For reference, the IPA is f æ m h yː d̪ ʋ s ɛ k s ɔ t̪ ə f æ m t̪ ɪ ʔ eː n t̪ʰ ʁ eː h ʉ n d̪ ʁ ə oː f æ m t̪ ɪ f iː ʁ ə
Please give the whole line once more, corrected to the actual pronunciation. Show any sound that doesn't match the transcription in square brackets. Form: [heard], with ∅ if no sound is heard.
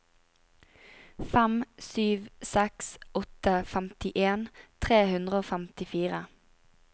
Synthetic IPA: f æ m [s] yː [∅] ʋ s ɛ k s ɔ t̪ ə f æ m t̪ ɪ ʔ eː n t̪ʰ ʁ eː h ʉ n d̪ ʁ ə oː f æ m t̪ ɪ f iː ʁ ə